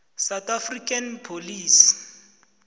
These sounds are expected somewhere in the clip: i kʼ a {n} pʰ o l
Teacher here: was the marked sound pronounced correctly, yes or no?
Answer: yes